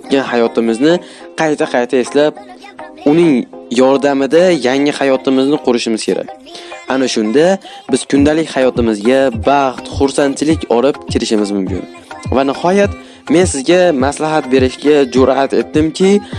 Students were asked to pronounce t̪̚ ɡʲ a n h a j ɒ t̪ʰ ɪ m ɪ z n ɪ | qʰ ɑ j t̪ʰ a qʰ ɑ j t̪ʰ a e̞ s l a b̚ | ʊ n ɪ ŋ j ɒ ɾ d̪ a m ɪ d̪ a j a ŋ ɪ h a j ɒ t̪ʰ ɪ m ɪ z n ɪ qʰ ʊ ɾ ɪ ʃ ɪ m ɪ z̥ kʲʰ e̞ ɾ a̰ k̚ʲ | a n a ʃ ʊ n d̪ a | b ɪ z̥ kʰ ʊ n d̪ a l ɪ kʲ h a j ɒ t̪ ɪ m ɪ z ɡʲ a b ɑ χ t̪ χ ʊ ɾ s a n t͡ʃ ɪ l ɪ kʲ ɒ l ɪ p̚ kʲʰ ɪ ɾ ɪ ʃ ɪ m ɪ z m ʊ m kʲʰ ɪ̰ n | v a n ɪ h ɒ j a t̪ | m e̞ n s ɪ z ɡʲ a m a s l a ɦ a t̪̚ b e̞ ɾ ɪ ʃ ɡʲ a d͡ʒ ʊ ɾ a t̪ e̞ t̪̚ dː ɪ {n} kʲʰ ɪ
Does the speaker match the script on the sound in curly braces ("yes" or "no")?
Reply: no